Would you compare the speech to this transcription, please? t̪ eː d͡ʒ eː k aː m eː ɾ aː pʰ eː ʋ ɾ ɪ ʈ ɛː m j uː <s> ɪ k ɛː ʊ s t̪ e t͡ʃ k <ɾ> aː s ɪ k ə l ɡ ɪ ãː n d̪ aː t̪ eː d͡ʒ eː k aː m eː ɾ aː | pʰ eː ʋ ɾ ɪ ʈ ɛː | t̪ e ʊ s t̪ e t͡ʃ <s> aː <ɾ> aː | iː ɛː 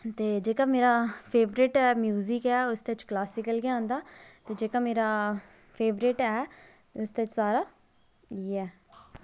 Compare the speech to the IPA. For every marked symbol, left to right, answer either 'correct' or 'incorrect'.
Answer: incorrect: z, incorrect: l, correct, correct

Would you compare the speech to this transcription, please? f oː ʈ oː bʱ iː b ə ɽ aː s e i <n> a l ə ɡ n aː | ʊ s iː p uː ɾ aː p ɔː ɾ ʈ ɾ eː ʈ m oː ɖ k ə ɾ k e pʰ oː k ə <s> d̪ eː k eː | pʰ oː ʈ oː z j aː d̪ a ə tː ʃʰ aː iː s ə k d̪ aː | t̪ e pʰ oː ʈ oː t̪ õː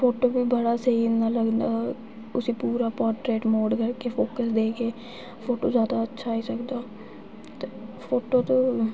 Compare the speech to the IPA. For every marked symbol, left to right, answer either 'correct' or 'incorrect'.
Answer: correct, correct

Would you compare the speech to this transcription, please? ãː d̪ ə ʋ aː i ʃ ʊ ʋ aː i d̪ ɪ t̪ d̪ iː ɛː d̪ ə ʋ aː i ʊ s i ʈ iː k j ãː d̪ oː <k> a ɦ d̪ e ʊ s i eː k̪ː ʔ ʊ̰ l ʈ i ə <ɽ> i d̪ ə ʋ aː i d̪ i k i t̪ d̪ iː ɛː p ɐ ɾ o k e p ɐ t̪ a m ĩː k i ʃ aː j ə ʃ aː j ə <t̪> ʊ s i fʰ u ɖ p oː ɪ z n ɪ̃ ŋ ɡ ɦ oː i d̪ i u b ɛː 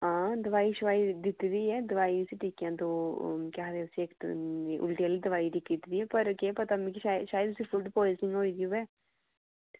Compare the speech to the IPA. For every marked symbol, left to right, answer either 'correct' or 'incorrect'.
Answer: correct, incorrect: l, incorrect: d̪

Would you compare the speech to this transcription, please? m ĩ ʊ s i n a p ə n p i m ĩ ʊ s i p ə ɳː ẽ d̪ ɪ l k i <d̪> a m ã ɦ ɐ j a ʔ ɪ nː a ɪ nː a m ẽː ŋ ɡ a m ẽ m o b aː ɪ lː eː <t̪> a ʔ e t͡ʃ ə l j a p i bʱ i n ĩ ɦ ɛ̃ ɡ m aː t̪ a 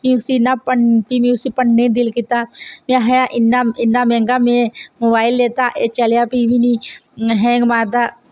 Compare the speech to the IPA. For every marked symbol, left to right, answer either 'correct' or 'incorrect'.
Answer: incorrect: t̪, correct

